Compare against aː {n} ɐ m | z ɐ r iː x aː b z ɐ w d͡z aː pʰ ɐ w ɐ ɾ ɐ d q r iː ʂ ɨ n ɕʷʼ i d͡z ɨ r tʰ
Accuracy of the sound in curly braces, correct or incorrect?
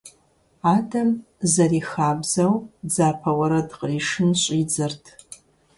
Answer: incorrect: d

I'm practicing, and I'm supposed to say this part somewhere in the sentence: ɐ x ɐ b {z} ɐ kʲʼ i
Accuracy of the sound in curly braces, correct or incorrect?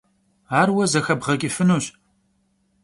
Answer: incorrect: ʁ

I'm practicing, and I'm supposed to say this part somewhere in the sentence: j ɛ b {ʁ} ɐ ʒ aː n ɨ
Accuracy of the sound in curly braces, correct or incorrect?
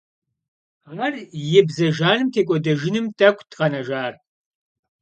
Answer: incorrect: z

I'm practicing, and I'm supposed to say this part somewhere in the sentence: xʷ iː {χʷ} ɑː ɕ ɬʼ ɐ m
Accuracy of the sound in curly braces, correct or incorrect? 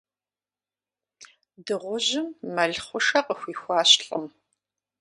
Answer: incorrect: xʷ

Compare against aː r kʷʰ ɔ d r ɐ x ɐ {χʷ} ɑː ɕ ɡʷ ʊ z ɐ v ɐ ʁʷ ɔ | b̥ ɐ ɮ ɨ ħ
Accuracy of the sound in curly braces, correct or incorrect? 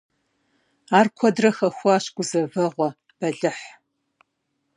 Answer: incorrect: xʷ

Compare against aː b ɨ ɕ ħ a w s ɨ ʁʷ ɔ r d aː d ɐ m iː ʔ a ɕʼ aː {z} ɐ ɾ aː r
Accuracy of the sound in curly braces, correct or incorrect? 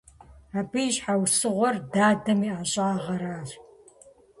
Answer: incorrect: ʁ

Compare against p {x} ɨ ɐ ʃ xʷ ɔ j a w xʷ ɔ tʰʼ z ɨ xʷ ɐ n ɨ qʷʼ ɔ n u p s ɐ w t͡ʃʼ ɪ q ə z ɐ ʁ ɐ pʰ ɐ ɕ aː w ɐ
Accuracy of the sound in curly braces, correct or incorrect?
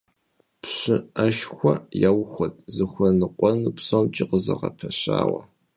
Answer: incorrect: ɕ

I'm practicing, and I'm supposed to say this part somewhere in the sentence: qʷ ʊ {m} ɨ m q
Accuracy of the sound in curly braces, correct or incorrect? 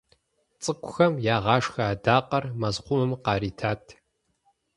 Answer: correct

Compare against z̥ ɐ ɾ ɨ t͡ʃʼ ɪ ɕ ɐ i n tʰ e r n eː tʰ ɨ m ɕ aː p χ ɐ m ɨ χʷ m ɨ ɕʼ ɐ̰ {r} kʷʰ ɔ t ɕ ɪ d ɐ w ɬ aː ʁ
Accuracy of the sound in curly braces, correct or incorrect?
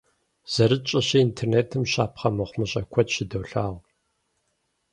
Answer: incorrect: none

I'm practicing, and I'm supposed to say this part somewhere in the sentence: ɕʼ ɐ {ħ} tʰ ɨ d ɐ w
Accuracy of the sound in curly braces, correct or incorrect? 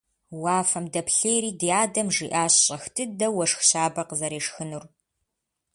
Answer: incorrect: x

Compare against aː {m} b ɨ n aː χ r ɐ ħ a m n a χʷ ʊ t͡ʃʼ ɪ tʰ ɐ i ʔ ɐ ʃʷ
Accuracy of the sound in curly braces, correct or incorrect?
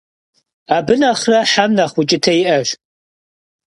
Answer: incorrect: none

